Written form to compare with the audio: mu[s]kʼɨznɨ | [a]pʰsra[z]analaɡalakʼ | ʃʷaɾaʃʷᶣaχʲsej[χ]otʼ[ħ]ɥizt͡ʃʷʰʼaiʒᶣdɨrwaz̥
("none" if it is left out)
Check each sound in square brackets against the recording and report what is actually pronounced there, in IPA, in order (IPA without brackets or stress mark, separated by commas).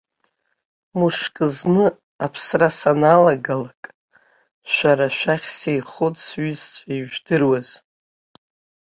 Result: ʂ, a, s, χ, s